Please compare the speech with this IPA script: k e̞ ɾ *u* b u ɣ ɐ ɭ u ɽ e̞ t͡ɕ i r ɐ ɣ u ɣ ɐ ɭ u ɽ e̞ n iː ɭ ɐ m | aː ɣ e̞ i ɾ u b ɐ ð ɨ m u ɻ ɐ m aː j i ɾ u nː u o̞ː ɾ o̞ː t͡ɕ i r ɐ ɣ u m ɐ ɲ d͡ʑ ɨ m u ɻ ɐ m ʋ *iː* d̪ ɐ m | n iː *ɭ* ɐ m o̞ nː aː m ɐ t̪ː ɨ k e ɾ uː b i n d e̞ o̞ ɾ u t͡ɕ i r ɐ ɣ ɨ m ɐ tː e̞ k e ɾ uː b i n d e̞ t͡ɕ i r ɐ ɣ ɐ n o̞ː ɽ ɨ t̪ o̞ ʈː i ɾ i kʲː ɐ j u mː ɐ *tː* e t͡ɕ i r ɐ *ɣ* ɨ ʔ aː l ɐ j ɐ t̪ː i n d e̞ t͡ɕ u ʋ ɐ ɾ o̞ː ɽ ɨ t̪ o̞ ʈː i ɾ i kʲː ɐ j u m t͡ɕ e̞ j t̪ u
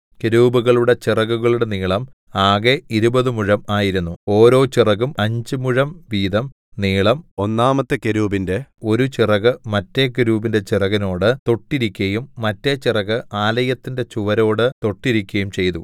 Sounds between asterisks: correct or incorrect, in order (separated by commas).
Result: incorrect, correct, correct, correct, correct